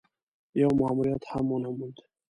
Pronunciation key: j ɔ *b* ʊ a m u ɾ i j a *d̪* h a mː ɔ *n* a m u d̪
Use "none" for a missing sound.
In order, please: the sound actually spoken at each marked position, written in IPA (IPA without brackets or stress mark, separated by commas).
m, t̪, n